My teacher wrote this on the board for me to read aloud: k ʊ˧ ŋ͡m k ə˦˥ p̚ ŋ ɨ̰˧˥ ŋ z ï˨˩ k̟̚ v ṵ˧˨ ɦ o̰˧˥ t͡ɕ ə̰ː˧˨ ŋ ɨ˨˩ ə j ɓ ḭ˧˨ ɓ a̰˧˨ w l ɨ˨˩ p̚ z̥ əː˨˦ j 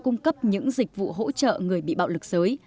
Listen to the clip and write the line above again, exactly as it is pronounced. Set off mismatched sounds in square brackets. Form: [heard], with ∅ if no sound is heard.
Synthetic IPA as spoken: k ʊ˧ ŋ͡m k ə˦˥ p̚ [ɲ] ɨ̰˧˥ ŋ z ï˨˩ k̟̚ v ṵ˧˨ ɦ o̰˧˥ t͡ɕ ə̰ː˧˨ ŋ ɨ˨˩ ə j ɓ ḭ˧˨ ɓ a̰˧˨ w l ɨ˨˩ [k̚] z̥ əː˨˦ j

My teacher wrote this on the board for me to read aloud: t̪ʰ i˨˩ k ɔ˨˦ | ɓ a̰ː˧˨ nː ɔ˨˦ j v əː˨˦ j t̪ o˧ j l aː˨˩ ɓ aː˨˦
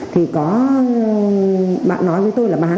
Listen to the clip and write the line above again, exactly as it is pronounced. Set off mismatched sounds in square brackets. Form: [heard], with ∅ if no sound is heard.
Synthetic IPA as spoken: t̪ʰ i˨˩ k ɔ˨˦ | ɓ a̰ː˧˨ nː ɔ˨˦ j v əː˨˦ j t̪ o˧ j l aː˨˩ ɓ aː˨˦

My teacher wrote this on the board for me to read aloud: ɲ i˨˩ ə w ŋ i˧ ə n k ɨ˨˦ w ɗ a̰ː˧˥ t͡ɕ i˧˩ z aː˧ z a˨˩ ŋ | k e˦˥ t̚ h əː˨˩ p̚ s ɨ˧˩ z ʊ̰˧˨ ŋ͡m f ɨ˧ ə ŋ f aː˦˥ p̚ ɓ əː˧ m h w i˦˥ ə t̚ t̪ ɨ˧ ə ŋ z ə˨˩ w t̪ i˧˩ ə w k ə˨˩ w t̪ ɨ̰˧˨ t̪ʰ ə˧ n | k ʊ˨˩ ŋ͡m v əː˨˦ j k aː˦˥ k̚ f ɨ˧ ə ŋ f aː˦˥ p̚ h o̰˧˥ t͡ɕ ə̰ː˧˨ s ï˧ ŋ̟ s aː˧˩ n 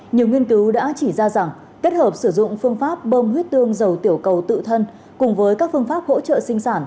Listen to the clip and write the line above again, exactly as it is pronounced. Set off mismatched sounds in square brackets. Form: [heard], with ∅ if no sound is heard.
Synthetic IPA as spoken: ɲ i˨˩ ə w ŋ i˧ ə n k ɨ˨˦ w ɗ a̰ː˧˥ t͡ɕ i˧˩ z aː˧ z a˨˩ ŋ | k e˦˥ t̚ h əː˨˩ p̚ s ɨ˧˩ z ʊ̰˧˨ ŋ͡m f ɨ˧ ə ŋ f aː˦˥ p̚ ɓ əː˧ m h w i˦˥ ə t̚ t̪ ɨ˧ ə ŋ z ə˨˩ w t̪ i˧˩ ə w k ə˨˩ w t̪ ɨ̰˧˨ t̪ʰ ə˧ n | k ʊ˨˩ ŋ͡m v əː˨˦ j k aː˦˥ k̚ f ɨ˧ ə ŋ f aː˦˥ p̚ h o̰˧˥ t͡ɕ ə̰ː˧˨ s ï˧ ŋ̟ s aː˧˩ n

